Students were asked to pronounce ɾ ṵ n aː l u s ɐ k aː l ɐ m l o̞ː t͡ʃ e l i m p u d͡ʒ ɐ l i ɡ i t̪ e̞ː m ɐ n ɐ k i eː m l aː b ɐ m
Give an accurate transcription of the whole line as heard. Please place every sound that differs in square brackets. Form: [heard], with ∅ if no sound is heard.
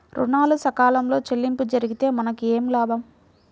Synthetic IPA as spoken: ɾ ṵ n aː l u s ɐ k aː l ɐ m l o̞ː t͡ʃ e [lː] i m p u d͡ʒ ɐ [ɾ] i ɡ i t̪ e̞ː m ɐ n ɐ k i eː m l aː b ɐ m